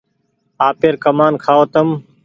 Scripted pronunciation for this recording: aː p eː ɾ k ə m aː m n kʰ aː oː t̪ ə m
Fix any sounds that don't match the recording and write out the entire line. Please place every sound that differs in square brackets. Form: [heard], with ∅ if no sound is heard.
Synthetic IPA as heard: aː p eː ɾ k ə m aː [∅] n kʰ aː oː t̪ ə m